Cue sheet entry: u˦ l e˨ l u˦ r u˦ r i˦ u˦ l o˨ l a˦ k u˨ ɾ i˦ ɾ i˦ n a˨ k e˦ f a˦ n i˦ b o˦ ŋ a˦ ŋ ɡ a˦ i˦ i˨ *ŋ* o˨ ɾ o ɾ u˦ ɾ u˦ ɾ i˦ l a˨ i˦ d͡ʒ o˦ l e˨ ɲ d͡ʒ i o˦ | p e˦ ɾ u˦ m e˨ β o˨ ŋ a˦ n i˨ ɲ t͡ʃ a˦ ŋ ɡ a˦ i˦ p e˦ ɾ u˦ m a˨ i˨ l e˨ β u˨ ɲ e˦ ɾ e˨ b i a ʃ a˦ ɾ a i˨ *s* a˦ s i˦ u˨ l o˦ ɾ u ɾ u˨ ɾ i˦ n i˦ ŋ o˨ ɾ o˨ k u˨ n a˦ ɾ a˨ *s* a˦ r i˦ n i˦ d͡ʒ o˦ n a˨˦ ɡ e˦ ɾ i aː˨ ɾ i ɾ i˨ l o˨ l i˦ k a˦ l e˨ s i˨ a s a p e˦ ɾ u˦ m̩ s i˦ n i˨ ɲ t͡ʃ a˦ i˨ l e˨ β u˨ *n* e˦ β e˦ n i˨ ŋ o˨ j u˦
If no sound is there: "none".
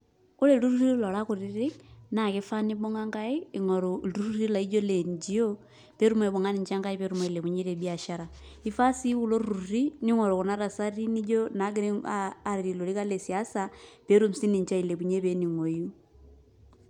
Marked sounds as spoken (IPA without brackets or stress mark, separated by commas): ŋ, f, s, ɲ